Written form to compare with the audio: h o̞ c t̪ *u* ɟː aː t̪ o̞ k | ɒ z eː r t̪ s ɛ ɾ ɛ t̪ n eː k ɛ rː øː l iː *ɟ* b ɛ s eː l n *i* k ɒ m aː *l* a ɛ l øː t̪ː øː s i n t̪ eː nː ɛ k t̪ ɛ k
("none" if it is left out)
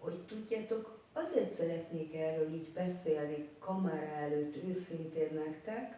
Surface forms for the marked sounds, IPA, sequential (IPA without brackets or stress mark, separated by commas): u, ɟ, i, ɾ